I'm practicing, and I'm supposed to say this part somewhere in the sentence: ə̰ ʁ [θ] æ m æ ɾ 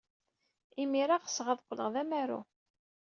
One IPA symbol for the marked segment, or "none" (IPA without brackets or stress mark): ð